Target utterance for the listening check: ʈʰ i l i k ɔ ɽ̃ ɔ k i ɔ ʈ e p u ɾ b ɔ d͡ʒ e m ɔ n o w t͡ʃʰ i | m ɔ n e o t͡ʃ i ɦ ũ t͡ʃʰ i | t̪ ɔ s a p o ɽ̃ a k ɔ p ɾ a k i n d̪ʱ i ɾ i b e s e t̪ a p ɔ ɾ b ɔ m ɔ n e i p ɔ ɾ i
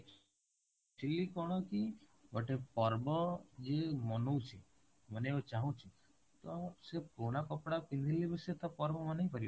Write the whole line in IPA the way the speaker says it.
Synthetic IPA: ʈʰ i l i k ɔ ɽ̃ ɔ k i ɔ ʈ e p ɔ ɾ b ɔ d͡ʒ e m ɔ n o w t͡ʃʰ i | m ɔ n e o t͡ʃ a ɦ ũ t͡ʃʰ i | t̪ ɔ s e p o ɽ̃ a k ɔ p ɽ a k i n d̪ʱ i l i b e s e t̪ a p ɔ ɾ b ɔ m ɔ n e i p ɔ ɾ i